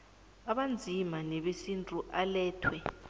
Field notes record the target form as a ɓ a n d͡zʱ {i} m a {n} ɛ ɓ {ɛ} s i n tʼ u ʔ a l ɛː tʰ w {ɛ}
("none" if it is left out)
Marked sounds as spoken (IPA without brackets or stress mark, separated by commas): i, n, e, ɛ